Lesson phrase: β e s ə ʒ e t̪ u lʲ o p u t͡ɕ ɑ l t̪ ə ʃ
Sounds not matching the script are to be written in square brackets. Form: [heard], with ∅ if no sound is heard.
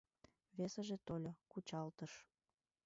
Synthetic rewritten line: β e s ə ʒ e t̪ [o] lʲ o [k] u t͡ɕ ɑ l t̪ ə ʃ